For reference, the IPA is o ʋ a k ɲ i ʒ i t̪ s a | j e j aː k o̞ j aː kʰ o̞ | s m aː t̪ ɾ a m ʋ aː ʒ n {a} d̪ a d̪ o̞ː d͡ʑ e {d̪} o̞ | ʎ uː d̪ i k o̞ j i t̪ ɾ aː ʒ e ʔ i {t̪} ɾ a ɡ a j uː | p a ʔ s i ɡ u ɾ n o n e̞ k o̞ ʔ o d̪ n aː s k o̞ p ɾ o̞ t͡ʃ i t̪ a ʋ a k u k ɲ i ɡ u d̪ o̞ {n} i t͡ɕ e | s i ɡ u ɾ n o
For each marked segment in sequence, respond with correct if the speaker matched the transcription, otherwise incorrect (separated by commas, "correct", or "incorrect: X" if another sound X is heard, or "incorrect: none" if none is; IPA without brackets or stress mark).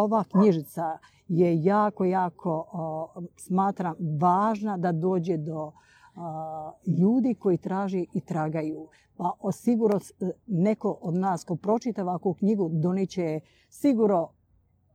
correct, correct, correct, correct